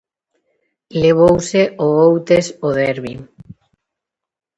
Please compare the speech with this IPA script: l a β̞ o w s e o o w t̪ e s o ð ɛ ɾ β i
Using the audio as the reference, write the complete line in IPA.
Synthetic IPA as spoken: l e β̞ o w s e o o w t̪ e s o ð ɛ ɾ β i